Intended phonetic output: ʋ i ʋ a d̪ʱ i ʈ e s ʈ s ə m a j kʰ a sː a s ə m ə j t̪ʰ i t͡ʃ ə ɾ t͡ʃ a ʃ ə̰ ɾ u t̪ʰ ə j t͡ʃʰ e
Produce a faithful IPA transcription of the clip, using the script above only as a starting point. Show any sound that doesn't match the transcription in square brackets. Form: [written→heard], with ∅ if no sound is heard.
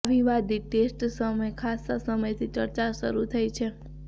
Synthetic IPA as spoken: ʋ i ʋ a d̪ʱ i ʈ e s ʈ s ə m [a→ə] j kʰ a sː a s ə m ə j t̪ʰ i t͡ʃ ə ɾ t͡ʃ a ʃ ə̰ ɾ u t̪ʰ ə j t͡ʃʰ e